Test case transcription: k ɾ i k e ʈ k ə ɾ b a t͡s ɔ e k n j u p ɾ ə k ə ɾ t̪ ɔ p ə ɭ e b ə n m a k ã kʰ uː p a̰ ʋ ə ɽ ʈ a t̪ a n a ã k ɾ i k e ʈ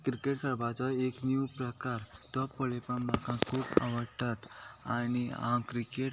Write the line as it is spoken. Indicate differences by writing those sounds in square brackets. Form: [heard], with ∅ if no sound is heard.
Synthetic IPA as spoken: k ɾ i k e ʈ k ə ɾ b a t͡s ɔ e k n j u p ɾ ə k [a] ɾ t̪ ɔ p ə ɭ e [p] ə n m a k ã kʰ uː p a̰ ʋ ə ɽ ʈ a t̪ a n [i] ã k ɾ i k e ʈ